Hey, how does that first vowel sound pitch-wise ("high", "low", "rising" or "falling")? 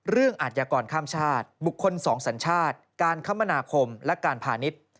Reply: falling